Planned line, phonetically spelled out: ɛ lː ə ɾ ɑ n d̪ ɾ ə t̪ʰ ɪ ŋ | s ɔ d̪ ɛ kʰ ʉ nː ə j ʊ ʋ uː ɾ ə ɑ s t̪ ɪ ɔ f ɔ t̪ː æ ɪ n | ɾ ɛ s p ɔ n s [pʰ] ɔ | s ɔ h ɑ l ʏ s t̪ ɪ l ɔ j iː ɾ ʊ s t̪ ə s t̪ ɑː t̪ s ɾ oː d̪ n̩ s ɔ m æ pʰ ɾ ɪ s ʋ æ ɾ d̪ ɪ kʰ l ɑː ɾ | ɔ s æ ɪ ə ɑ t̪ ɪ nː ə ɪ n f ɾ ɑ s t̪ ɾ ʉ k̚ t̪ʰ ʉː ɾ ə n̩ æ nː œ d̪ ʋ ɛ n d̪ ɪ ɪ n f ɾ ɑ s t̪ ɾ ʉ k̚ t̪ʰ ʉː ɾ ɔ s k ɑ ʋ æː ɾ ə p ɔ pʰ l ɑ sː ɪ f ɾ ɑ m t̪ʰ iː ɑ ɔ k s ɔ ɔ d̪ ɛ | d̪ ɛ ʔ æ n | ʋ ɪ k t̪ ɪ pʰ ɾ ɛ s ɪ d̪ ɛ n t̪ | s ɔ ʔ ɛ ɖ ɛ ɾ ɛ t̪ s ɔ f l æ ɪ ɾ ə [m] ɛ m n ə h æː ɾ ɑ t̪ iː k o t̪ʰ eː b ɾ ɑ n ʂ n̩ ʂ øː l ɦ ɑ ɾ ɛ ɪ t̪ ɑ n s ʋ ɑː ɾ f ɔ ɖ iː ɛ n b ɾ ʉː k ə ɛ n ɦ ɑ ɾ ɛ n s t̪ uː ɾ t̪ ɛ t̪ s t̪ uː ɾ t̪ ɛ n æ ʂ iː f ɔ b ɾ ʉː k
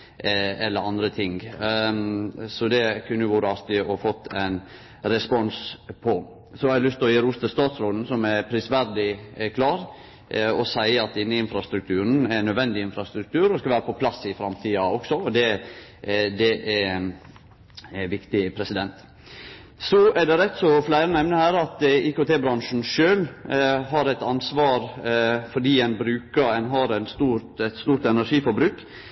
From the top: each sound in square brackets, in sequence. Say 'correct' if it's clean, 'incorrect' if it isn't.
correct, incorrect

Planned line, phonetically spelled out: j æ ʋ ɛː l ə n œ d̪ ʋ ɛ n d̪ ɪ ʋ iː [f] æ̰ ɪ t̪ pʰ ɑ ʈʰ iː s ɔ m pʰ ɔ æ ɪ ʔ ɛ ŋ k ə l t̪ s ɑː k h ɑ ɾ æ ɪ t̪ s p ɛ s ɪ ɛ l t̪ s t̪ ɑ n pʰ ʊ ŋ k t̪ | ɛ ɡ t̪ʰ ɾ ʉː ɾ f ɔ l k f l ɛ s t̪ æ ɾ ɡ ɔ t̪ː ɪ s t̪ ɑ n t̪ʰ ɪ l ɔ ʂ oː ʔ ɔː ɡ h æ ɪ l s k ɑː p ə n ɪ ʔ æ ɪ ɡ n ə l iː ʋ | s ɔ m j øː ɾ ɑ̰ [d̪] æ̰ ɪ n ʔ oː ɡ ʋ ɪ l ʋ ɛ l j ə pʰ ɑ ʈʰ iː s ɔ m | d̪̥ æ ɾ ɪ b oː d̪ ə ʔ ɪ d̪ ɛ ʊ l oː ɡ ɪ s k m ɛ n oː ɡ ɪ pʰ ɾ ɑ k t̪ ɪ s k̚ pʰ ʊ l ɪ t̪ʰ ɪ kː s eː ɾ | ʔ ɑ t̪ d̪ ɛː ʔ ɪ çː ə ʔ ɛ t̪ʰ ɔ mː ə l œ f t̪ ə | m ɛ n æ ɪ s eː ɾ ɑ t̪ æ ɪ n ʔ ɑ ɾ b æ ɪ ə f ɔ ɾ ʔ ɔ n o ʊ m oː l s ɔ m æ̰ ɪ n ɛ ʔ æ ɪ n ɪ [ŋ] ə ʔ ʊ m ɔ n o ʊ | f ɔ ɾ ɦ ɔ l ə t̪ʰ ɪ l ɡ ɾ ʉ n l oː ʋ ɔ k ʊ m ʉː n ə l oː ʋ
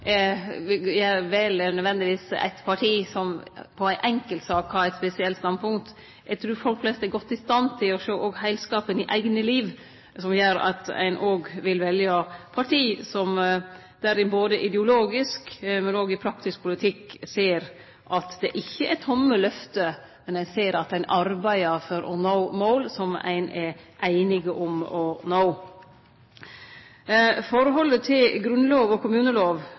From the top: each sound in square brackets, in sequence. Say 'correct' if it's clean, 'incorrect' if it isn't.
incorrect, incorrect, incorrect

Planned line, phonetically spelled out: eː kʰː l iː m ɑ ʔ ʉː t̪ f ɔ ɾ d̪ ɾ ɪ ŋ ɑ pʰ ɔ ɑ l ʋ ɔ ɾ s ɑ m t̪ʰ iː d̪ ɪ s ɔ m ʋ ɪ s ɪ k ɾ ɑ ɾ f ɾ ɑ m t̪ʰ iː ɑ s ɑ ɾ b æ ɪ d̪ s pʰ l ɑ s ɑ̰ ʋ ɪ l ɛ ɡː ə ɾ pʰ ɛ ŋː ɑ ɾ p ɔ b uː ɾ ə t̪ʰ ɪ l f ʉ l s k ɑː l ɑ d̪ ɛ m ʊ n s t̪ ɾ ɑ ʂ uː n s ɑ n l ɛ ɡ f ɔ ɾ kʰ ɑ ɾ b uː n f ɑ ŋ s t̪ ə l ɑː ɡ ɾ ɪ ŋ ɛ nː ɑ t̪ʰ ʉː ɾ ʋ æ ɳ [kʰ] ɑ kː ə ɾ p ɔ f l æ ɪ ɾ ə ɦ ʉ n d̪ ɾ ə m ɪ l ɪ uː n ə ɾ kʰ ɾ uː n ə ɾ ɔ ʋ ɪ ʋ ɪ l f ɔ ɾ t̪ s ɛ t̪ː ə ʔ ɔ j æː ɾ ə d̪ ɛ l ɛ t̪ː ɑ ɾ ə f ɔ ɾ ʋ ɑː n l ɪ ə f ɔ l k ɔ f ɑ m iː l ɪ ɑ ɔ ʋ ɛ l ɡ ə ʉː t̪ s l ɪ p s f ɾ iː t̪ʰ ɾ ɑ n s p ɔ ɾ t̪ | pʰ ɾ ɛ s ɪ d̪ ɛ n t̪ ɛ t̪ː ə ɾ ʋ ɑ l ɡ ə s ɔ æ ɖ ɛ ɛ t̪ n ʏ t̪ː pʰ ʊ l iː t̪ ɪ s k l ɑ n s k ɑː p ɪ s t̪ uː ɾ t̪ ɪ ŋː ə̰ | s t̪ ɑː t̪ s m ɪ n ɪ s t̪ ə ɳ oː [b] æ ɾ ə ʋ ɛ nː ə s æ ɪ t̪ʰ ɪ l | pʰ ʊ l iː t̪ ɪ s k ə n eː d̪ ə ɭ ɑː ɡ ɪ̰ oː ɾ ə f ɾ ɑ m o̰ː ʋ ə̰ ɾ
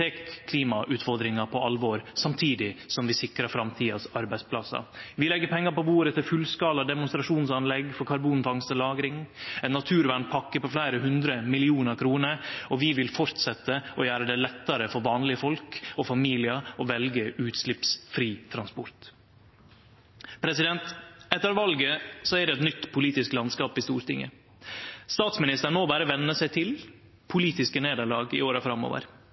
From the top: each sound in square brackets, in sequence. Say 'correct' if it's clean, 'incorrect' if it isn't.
incorrect, correct

